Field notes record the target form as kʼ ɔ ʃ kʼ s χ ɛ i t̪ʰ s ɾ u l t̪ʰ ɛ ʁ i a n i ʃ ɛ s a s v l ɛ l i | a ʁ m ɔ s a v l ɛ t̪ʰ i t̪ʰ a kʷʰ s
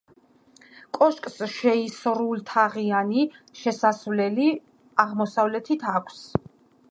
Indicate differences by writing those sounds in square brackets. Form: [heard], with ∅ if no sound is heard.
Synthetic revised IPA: kʼ ɔ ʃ kʼ s [ʃ] ɛ i [∅] s ɾ u l t̪ʰ [a] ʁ i a n i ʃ ɛ s a s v l ɛ l i | a ʁ m ɔ s a v l ɛ t̪ʰ i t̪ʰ a kʷʰ s